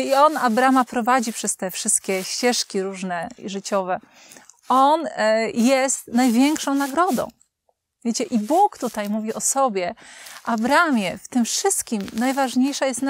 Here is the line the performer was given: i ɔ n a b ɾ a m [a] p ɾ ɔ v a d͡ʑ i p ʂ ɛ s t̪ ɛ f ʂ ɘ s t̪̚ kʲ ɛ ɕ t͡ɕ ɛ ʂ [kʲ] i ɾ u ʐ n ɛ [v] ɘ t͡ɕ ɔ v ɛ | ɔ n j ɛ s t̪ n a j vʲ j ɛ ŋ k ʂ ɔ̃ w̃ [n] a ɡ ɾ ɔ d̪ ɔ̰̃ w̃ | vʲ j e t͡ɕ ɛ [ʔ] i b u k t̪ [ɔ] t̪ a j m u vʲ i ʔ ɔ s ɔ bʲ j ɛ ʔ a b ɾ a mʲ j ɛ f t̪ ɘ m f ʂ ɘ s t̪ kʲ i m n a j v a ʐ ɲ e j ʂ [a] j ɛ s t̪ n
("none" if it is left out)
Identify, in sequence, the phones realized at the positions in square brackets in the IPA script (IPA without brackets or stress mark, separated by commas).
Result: a, kʲ, ʐ, n, ʔ, u, a